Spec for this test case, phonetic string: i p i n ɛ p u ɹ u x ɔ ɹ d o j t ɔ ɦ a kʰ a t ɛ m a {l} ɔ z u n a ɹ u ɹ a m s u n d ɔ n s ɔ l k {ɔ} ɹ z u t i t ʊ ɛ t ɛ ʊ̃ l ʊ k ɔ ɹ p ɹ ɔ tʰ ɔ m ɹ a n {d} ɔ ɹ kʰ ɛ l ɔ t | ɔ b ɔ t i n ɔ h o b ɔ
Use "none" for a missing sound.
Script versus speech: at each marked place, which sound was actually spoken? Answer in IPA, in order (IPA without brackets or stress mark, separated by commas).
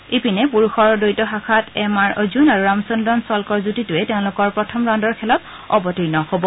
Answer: ɹ, ɔ, d